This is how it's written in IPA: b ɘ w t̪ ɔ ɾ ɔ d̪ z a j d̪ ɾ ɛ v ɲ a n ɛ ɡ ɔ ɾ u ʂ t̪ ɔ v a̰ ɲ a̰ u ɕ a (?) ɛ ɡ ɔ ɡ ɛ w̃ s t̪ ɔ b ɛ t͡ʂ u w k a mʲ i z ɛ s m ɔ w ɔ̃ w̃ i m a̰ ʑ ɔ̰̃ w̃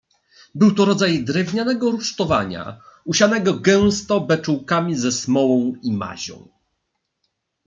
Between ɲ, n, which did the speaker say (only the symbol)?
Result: n